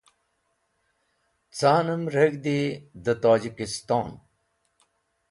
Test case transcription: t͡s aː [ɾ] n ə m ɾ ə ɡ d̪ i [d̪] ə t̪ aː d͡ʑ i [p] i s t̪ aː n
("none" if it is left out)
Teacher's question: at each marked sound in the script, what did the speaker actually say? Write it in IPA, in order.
none, d̪, k

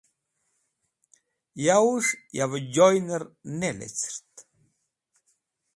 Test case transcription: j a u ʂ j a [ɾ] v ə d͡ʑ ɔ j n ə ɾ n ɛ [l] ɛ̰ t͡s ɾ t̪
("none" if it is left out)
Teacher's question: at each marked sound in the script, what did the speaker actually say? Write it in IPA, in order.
none, l

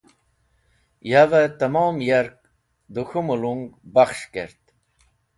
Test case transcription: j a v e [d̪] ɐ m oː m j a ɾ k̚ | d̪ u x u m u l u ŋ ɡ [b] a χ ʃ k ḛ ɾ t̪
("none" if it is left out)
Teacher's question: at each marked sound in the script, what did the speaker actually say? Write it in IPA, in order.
t̪, b

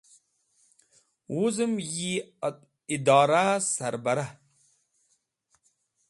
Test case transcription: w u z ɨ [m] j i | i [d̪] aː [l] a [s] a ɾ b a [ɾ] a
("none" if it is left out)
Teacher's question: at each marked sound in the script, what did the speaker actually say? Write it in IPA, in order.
m, d̪, ɾ, s, ɾ

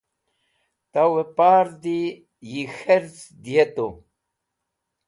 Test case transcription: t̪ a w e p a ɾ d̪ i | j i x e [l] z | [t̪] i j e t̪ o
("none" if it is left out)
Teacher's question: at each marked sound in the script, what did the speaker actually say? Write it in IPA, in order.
ɾ, d̪

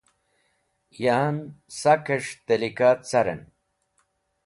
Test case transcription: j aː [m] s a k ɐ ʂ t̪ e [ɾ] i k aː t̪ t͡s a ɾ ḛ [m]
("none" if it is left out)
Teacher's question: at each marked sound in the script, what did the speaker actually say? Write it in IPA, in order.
n, l, n

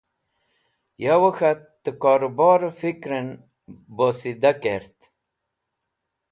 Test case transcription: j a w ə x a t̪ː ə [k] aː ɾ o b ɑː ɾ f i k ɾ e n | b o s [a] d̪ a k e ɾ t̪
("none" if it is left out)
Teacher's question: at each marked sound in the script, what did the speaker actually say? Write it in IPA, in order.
k, i

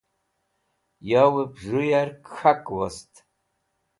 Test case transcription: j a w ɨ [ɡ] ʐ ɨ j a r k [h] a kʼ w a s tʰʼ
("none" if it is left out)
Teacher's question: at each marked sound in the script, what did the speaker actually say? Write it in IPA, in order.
b, x

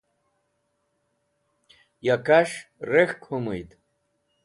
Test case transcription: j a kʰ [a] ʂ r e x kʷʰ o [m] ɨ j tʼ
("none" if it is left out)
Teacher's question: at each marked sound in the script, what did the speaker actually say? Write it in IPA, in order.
a, m

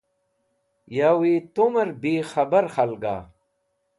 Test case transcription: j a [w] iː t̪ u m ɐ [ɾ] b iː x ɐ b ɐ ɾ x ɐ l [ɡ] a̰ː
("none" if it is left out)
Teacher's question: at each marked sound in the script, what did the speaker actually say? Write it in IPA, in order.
w, ɾ, ɡ

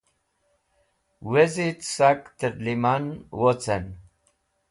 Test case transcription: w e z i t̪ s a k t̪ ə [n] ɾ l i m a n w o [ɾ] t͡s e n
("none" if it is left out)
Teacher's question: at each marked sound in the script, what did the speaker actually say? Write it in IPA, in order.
none, none

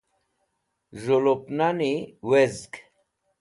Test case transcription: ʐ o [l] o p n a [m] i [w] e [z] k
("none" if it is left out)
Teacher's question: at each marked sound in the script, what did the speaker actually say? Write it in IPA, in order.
l, n, w, z

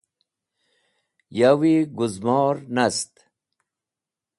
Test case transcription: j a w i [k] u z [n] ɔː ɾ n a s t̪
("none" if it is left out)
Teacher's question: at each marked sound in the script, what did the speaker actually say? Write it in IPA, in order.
ɡ, m

